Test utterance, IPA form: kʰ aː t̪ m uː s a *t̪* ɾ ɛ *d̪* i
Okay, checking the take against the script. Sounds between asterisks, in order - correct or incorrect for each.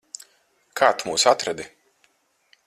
correct, correct

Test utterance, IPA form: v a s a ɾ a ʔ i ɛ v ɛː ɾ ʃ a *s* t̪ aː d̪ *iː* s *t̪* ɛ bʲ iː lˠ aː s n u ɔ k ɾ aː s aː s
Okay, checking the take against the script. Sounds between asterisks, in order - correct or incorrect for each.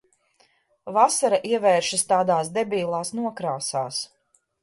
correct, incorrect: aː, incorrect: d̪

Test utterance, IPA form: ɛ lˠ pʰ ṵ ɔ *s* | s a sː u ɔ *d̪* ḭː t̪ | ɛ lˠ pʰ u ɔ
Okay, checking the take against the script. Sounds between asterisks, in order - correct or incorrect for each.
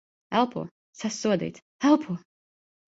incorrect: none, correct

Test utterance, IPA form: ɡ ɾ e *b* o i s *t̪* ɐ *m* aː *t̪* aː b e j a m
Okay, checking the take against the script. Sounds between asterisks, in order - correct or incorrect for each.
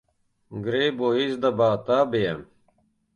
correct, incorrect: d̪, incorrect: b, correct

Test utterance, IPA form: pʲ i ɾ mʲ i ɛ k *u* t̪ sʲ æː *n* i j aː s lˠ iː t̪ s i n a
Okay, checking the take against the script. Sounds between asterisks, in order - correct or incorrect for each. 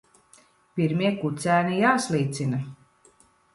correct, correct

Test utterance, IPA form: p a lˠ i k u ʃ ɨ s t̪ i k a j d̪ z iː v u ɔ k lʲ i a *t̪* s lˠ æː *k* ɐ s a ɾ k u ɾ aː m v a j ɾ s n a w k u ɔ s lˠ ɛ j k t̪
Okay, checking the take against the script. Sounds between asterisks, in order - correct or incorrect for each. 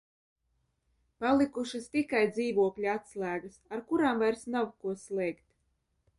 correct, incorrect: ɡ

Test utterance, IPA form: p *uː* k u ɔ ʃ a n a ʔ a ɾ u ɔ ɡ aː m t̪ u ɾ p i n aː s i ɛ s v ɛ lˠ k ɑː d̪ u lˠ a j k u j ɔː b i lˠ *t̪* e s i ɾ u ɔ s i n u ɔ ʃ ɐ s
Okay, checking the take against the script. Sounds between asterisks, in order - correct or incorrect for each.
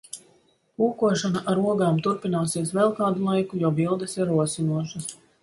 correct, incorrect: d̪

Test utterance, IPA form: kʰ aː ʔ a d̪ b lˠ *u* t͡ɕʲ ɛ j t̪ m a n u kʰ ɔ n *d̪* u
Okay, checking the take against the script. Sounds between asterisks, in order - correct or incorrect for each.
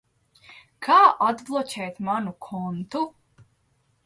incorrect: ɔ, incorrect: t̪

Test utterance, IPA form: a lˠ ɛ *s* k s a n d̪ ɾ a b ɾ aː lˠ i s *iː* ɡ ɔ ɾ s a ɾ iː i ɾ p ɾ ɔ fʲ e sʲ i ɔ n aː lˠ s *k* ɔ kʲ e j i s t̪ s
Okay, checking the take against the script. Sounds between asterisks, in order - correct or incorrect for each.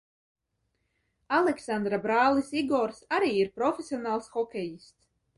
incorrect: none, incorrect: i, incorrect: x

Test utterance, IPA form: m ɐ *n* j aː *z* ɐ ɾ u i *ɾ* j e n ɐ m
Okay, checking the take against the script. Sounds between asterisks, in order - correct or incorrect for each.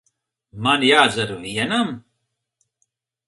correct, correct, incorrect: none

